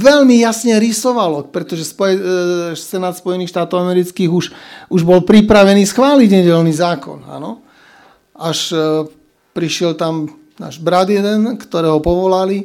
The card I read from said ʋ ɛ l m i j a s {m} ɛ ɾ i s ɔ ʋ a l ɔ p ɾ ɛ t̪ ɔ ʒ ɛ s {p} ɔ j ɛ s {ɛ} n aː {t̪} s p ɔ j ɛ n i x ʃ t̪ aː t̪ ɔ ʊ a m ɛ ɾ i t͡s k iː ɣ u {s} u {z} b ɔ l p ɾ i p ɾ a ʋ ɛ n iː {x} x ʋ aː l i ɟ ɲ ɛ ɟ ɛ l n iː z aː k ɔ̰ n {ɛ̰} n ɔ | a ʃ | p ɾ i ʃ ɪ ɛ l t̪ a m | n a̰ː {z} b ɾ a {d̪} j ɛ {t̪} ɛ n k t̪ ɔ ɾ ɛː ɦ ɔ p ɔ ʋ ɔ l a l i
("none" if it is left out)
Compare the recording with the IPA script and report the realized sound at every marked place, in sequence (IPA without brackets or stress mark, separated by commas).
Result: ɲ, p, ɛ, t̪, ʃ, ʒ, s, a̰, ʒ, d̪, d̪